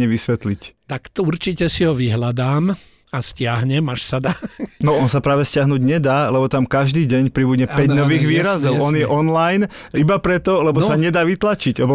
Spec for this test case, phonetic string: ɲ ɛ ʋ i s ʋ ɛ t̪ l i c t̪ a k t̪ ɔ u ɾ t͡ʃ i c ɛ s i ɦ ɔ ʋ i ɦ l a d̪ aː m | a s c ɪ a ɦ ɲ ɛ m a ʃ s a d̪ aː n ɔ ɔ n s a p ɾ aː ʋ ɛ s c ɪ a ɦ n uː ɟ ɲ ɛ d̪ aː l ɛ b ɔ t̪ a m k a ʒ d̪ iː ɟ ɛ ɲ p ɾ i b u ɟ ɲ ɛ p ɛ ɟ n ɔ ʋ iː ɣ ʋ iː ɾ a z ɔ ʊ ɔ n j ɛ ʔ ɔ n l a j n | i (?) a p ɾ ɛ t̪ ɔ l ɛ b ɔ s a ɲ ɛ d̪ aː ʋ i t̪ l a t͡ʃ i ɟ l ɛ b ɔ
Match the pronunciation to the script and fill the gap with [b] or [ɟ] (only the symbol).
b